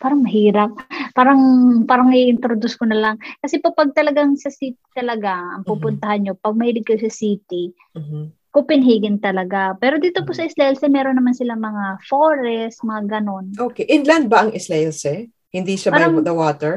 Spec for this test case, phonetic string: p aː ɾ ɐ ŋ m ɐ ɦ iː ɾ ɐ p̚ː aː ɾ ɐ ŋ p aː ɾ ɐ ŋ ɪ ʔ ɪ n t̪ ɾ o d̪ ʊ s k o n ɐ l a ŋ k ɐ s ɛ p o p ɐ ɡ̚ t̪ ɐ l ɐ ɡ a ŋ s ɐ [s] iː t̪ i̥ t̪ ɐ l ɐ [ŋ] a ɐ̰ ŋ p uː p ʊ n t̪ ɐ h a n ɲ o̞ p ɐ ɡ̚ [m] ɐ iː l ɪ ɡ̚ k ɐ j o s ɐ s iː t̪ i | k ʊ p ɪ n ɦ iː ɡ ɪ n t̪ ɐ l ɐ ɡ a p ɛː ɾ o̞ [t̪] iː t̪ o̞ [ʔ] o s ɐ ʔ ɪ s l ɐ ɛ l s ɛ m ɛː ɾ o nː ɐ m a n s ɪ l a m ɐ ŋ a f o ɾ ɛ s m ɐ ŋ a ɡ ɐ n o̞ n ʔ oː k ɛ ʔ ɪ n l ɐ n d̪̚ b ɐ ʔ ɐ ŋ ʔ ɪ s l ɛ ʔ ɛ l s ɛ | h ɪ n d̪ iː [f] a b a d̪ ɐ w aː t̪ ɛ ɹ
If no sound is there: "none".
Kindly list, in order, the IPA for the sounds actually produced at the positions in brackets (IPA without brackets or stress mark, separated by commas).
s, ɡ, m, d̪, p, ʃ